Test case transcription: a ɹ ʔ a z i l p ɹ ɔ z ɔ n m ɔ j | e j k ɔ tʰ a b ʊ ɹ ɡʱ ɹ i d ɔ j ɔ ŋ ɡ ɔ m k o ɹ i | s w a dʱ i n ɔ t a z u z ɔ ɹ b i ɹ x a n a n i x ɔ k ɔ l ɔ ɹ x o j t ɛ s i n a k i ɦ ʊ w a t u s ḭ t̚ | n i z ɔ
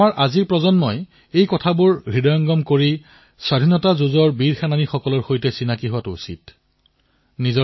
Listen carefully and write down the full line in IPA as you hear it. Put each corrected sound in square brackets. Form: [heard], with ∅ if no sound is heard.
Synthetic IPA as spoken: a ɹ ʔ a z i [ɹ] p ɹ ɔ z ɔ n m ɔ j | e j k ɔ tʰ a b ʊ ɹ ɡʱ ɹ i d ɔ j ɔ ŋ ɡ ɔ m k o ɹ i | s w a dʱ i n ɔ t a z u z ɔ ɹ b i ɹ x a n a n i x ɔ k ɔ l ɔ ɹ x o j t ɛ s i n a k i ɦ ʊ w a t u s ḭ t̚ | n i z ɔ